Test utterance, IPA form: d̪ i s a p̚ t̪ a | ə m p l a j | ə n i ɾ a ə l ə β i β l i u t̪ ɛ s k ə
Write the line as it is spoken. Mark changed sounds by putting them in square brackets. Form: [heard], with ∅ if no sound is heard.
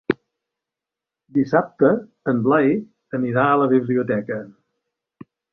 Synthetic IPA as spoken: d̪ i s a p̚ t̪ [ə] | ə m [b] l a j | ə n i ɾ a ə l ə β i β l i u t̪ ɛ [∅] k ə